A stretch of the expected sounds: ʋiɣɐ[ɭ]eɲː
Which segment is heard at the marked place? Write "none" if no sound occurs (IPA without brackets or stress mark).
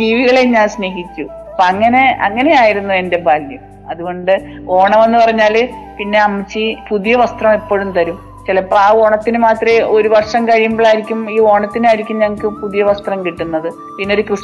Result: ɭ